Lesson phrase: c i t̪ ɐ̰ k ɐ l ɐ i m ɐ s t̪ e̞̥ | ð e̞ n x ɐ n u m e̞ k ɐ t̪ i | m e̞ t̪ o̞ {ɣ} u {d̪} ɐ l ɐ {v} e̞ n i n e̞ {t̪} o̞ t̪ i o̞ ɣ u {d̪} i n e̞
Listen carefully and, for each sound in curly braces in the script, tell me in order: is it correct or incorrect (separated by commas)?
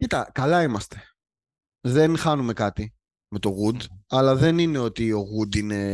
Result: correct, correct, incorrect, incorrect, correct